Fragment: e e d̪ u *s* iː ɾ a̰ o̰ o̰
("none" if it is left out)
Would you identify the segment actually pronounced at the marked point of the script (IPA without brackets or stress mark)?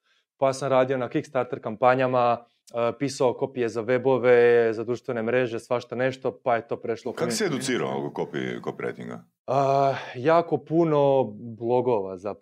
s